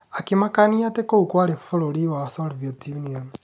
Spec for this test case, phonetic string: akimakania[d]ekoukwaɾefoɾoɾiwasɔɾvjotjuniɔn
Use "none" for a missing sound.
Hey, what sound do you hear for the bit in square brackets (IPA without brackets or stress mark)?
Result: t